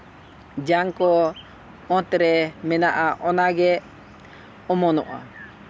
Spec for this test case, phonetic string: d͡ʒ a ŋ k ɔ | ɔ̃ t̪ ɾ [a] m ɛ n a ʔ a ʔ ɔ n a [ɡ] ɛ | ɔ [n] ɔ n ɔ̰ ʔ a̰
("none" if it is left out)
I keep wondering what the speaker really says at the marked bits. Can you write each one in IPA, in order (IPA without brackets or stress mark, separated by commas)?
ɛ, ɡ, m